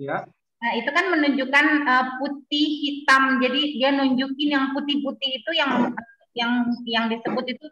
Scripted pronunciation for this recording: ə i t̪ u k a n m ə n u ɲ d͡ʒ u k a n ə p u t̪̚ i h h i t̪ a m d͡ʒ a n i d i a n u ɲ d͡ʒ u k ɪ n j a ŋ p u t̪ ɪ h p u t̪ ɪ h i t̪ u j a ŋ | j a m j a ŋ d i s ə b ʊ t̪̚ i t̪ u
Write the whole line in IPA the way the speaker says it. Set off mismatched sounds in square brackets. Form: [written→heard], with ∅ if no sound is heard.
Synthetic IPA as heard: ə i t̪ u k a n m ə n u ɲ d͡ʒ u k a n ə p u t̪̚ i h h i t̪ a m d͡ʒ a [n→d] i d i a n u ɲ d͡ʒ u k ɪ n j a ŋ p u t̪ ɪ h p u t̪ ɪ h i t̪ u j a ŋ | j a [m→ŋ] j a ŋ d i s ə b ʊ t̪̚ i t̪ u

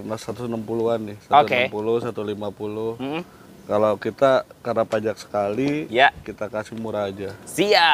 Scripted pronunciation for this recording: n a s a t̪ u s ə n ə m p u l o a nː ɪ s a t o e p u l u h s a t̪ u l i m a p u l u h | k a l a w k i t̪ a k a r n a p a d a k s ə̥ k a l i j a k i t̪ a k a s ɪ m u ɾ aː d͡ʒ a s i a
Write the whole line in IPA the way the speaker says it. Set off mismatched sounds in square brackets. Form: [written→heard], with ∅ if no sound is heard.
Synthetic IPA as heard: n a s a t̪ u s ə n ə m p u l [o→u] a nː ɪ s a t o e p u l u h s a t̪ u l i m a p u l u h | k a l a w k i t̪ a k a r n a p a [d→d͡ʒ] a k s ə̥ k a l i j a k i t̪ a k a s ɪ m u ɾ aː d͡ʒ a s i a

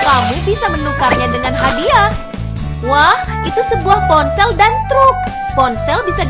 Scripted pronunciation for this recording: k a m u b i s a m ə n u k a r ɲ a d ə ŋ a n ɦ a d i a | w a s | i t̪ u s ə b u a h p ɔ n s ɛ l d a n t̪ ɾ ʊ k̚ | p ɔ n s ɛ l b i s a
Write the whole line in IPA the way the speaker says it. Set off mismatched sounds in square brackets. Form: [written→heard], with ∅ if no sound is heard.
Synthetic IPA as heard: k a m u b i s a m ə n u k a r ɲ a d ə ŋ a n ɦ a d i a | w a [s→h] | i t̪ u s ə b u a h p ɔ n s ɛ l d a n t̪ ɾ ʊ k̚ | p ɔ n s ɛ l b i s a

